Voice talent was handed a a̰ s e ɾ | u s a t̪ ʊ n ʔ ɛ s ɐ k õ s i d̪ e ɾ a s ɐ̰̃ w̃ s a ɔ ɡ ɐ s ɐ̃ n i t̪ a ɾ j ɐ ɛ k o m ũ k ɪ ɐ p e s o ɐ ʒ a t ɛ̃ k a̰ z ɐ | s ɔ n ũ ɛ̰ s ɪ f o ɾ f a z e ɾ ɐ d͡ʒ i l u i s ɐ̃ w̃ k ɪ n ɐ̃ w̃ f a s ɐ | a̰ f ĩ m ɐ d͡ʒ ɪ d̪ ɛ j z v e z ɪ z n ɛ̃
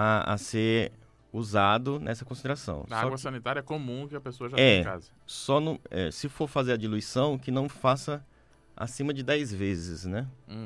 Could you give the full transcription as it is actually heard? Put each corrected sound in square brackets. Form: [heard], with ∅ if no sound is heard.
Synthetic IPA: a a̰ s e ɾ | u [z] a [d̪] ʊ n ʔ ɛ s ɐ k õ s i d̪ e ɾ a s ɐ̰̃ w̃ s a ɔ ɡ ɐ s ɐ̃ n i t̪ a ɾ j ɐ ɛ k o m ũ k ɪ ɐ p e s o ɐ ʒ a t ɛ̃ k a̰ z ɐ | s ɔ n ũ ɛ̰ s ɪ f o ɾ f a z e ɾ ɐ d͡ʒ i l u i s ɐ̃ w̃ k ɪ n ɐ̃ w̃ f a s ɐ | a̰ [s] ĩ m ɐ d͡ʒ ɪ d̪ ɛ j z v e z ɪ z n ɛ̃